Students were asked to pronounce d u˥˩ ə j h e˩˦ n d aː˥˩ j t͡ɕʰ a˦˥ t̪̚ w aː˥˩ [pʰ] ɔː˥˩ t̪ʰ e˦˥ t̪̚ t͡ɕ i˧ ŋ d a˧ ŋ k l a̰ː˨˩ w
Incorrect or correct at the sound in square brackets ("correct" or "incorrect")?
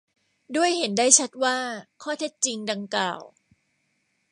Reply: incorrect